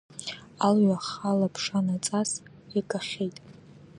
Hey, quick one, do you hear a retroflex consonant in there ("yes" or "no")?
yes